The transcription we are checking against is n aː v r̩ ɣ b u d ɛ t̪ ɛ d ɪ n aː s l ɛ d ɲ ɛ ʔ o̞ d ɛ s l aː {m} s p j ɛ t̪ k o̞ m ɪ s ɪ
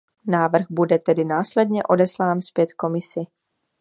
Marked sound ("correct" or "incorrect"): incorrect